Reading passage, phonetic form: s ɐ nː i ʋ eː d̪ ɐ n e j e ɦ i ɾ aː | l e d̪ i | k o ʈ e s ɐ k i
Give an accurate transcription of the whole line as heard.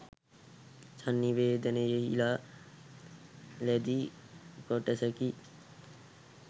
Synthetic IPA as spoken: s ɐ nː i ʋ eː d̪ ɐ n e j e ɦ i l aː | l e d̪ i | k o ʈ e s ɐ k i